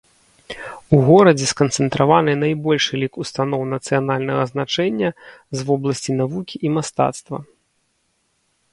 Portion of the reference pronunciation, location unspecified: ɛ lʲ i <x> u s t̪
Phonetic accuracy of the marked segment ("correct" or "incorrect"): incorrect